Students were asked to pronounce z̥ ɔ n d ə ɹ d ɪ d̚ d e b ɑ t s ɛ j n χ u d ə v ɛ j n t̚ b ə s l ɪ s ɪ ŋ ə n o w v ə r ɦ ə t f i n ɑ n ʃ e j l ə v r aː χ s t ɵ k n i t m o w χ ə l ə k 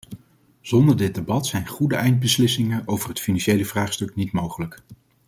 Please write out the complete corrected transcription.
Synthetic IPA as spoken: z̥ ɔ n d ə ɹ d ɪ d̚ d e b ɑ t s ɛ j n χ u d ə ɛ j n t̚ b ə s l ɪ s ɪ ŋ ə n o w v ə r ɦ ə t f i n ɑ n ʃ e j l ə v r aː χ s t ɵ k n i t m o w χ ə l ə k